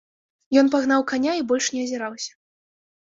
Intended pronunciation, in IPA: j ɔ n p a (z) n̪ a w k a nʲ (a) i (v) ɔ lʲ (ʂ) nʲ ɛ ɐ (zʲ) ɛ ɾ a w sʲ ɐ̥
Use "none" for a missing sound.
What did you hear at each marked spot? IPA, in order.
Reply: ɣ, a, b, ʂ, zʲ

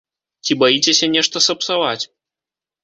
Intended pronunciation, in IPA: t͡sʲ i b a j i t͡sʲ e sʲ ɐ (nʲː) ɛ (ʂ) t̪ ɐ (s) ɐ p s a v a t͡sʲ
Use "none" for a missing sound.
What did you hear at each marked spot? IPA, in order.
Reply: nʲ, ʂ, s

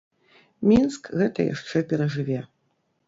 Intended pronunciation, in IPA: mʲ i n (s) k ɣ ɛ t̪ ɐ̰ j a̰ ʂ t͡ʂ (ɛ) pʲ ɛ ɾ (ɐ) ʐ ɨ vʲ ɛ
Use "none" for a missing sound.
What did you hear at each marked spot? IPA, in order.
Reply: s, ɛ, ɐ

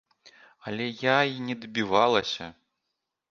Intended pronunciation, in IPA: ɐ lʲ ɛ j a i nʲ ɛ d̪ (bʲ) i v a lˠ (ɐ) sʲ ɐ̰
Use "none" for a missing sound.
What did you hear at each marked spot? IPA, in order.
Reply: bʲ, ɐ

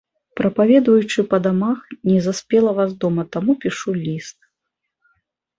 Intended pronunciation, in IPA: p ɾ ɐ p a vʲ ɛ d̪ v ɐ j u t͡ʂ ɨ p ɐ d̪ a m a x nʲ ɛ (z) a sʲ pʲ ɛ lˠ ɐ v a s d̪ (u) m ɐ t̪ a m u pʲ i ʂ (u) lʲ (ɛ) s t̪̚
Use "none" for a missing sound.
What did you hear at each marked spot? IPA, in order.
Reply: z, ɔ, u, i

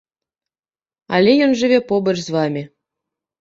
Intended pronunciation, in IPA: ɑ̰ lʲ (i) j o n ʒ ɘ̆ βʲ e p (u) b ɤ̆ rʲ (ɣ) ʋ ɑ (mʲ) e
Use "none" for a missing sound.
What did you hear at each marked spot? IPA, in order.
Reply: e, o, z, mʲ

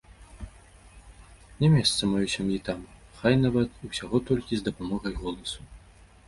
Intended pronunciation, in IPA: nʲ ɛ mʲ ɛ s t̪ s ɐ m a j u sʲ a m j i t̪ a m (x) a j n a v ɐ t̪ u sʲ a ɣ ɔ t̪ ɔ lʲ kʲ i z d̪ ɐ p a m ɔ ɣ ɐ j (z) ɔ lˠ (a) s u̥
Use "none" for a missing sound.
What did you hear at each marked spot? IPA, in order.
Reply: x, ɣ, ɐ

